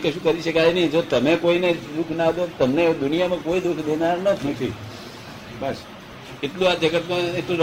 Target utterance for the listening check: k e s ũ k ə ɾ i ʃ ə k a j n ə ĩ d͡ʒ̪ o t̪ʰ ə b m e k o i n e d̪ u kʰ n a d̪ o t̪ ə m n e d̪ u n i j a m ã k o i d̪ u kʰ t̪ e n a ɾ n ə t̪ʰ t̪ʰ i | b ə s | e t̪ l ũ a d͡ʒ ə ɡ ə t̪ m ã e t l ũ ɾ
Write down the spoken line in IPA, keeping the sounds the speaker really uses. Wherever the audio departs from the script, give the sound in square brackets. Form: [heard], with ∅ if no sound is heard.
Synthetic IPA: k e [ʃ] ũ k ə ɾ i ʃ ə k a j n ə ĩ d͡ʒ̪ o [t̪] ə [∅] m e k o i n e d̪ u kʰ n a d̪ o t̪ ə m n e d̪ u n i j a m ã k o i d̪ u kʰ [d̪] e n a ɾ n ə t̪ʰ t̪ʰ i | b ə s | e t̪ l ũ a d͡ʒ ə ɡ ə t̪ m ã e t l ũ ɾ